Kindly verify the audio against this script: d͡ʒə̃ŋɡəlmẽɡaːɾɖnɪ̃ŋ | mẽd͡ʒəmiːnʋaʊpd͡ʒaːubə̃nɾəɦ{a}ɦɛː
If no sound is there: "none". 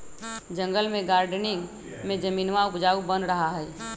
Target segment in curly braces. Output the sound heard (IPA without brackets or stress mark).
a